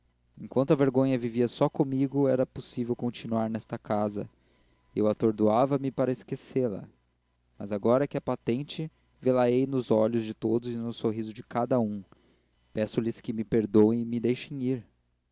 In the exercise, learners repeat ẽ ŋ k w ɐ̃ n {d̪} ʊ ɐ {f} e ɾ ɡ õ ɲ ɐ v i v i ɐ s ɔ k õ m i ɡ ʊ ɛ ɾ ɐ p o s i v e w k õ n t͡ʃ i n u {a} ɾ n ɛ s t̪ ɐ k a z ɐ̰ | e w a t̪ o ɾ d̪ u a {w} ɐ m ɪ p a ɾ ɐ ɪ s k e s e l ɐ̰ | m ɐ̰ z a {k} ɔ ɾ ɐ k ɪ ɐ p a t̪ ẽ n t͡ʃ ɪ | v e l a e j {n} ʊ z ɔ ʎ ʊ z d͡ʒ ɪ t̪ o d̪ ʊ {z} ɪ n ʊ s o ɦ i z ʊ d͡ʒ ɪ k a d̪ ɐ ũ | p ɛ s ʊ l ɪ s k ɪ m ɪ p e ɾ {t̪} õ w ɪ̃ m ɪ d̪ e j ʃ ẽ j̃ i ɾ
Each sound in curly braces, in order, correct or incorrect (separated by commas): incorrect, incorrect, correct, incorrect, incorrect, correct, correct, incorrect